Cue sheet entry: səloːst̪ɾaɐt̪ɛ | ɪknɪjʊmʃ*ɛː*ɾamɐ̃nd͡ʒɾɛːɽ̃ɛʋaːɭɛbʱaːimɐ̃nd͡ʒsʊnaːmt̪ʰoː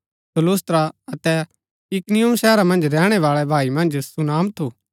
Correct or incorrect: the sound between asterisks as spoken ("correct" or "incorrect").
correct